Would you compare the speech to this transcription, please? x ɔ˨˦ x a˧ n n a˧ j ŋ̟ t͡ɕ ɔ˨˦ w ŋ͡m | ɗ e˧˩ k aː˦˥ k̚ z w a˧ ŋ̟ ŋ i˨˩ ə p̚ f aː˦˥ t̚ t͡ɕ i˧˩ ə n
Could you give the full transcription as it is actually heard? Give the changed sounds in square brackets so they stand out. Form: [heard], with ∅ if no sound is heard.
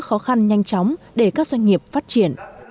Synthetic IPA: x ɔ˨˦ x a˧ n [ɲ] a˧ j ŋ̟ t͡ɕ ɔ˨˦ w ŋ͡m | ɗ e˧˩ k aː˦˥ k̚ z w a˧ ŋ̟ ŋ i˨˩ ə p̚ f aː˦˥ t̚ t͡ɕ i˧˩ ə n